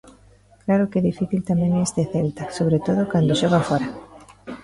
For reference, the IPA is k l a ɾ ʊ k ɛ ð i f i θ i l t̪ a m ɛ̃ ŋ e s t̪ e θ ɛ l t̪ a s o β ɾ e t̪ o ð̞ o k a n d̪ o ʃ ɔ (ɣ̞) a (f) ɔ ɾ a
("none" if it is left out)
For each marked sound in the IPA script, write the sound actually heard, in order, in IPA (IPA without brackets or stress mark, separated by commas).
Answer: ɣ̞, f